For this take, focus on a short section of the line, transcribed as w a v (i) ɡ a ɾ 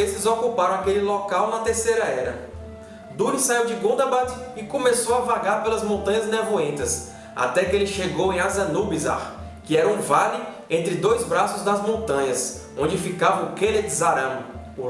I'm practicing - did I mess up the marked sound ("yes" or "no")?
yes